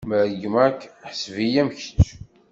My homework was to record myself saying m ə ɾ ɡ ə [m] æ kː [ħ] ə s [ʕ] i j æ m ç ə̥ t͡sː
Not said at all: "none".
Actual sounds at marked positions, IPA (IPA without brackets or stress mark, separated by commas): m, ħ, v